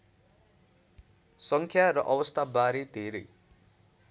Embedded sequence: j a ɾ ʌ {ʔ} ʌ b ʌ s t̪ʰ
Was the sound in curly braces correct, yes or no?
yes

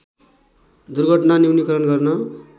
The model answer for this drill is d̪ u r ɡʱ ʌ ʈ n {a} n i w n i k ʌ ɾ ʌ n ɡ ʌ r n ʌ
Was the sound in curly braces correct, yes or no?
yes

